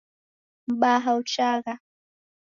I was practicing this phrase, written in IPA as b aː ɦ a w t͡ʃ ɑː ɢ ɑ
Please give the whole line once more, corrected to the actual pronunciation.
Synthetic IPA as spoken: b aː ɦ a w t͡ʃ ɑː ɢ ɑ